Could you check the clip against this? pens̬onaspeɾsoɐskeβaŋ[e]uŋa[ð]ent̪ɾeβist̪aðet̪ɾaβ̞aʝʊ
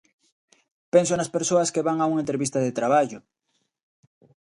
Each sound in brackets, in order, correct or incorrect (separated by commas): incorrect, incorrect